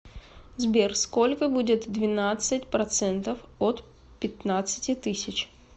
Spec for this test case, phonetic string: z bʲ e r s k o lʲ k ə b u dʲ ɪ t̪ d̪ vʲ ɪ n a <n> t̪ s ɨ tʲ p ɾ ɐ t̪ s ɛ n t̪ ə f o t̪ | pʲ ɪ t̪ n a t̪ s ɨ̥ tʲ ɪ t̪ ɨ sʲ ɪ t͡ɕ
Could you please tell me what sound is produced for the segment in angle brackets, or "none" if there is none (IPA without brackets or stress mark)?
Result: none